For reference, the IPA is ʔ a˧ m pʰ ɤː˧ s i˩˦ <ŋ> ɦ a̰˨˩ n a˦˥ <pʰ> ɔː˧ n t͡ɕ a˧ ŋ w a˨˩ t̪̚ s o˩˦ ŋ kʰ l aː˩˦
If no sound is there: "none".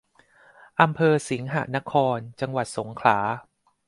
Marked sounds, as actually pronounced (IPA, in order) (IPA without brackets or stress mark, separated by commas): ŋ, kʰ